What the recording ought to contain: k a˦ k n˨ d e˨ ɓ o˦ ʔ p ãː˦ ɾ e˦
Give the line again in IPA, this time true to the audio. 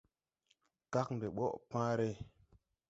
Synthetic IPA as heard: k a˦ k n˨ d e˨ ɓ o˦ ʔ p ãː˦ ɾ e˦